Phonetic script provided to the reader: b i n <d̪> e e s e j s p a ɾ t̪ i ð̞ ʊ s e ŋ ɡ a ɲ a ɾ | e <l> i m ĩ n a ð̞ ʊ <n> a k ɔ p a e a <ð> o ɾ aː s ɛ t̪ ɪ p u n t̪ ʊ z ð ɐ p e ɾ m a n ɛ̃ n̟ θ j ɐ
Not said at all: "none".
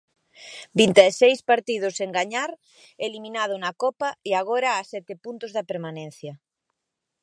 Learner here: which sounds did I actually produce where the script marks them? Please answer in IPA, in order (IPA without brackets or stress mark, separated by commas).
t̪, l, n, ɣ